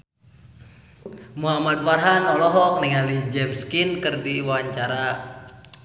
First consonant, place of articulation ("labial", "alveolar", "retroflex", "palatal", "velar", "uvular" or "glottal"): labial